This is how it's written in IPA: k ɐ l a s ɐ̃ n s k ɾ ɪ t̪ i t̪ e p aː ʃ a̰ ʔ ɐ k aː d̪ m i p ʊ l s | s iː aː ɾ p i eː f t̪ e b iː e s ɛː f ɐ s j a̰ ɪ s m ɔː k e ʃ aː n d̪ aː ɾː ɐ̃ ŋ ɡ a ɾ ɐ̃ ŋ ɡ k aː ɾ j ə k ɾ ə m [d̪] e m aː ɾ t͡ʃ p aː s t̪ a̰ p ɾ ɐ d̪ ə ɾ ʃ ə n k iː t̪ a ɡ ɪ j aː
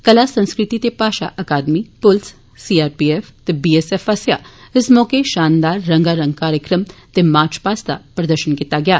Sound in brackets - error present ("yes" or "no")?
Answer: yes